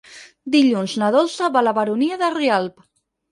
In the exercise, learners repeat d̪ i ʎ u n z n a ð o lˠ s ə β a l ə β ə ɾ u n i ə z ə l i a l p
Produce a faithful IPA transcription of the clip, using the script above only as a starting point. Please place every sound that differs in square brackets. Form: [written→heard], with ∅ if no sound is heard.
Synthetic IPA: d̪ i ʎ u n z n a ð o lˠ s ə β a l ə β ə ɾ u n i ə [z→ð] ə [l→r] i a l p

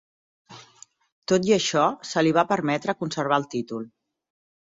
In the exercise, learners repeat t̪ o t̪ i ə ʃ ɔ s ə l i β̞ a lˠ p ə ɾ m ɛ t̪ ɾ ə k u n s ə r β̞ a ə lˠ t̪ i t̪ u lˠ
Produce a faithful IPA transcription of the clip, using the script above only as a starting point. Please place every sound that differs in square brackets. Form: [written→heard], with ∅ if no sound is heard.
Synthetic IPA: t̪ o t̪ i ə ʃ ɔ s ə l i β̞ a [lˠ→∅] p ə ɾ m ɛ t̪ ɾ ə k u n s ə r β̞ a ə lˠ t̪ i t̪ u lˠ

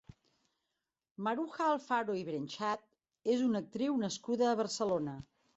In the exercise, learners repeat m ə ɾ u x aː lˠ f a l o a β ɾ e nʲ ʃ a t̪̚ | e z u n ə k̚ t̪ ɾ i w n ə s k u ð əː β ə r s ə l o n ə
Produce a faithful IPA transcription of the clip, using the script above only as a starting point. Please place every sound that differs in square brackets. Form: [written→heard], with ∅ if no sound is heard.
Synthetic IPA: m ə ɾ u x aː lˠ f a [l→ɾ] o [a→i] β ɾ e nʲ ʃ a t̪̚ | e z u n ə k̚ t̪ ɾ i w n ə s k u ð əː β ə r s ə l o n ə

